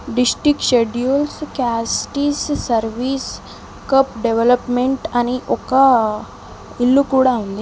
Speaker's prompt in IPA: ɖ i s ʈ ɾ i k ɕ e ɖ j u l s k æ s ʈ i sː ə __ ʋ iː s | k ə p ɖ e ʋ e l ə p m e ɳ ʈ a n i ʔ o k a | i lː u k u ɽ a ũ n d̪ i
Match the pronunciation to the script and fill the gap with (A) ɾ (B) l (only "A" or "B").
A